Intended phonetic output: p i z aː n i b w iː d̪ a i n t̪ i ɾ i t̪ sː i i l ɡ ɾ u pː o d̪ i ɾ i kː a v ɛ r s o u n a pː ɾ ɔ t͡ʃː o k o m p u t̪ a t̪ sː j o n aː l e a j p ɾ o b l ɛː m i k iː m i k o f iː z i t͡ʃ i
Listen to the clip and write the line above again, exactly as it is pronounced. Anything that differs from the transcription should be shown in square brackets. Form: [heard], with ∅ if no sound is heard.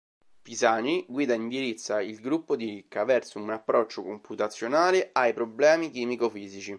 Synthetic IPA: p i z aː n i [ɡ] w iː d̪ a i n [d̪] i ɾ i t̪ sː [a] i l ɡ ɾ u pː o d̪ i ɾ i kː a v ɛ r s o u n a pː ɾ ɔ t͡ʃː o k o m p u t̪ a t̪ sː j o n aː l e a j p ɾ o b l ɛː m i k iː m i k o f iː z i t͡ʃ i